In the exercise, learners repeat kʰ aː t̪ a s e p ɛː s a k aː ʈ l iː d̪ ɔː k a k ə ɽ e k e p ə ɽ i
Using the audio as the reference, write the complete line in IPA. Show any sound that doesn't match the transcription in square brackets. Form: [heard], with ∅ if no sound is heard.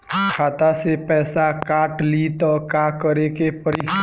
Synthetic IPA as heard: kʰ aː t̪ a s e p ɛː s a k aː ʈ l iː [t̪] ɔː k a k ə [ɾ] e k e p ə [ɾ] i